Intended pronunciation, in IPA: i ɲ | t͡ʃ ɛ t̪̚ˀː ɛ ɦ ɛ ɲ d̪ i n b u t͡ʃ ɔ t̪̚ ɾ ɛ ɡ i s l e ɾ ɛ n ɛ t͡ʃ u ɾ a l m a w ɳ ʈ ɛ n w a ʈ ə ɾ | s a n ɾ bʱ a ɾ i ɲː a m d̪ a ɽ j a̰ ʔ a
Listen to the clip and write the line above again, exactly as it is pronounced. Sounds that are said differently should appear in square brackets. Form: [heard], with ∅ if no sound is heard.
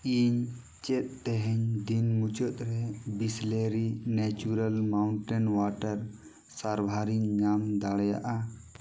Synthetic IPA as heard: i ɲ | t͡ʃ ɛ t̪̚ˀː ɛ ɦ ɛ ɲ d̪ i n [m] u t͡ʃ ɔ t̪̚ ɾ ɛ [b] i s l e ɾ [i] n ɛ t͡ʃ u ɾ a l m a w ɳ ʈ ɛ n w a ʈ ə ɾ | s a [∅] ɾ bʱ a ɾ i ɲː a m d̪ a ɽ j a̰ ʔ a